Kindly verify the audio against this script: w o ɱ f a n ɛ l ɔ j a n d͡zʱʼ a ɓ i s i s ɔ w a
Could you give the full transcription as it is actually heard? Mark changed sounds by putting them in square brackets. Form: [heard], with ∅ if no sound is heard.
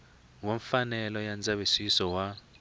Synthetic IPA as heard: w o ɱ f a n ɛ l ɔ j a n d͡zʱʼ a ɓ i s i s ɔ w a